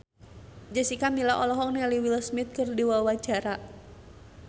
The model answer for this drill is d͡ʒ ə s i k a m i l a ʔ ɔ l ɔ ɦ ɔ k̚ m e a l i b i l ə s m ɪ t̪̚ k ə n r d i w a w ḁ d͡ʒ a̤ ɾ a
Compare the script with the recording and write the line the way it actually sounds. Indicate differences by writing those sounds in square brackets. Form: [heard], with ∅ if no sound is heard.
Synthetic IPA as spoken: d͡ʒ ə s i k a m i l a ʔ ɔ l ɔ ɦ ɔ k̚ [n] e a l i [w] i l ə s m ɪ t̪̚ k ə [∅] r d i w a w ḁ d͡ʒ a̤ ɾ a